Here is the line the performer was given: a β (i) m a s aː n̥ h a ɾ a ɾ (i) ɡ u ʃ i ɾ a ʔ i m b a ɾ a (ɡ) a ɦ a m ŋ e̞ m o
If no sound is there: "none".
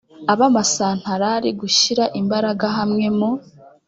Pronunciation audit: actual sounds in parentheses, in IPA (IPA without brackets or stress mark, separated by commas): a, i, ɡ